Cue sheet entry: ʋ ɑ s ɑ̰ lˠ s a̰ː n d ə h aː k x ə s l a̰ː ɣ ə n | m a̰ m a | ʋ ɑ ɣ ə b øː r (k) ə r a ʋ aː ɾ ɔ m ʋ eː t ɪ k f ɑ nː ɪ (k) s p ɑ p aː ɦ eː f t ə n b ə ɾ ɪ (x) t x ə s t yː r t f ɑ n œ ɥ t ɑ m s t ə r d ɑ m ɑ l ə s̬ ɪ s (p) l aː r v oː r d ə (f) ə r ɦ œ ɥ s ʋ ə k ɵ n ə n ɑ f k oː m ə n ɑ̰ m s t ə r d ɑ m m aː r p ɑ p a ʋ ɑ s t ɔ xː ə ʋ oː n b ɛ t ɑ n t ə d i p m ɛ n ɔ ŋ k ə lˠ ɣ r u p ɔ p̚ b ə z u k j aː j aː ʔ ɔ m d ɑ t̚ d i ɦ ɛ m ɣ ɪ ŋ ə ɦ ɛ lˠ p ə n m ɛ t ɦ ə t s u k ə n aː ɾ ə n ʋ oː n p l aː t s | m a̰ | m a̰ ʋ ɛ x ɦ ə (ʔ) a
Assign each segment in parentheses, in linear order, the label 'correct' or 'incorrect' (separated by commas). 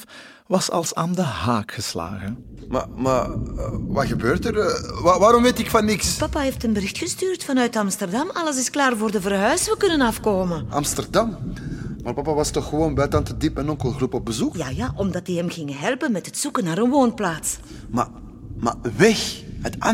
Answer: incorrect, correct, correct, incorrect, incorrect, incorrect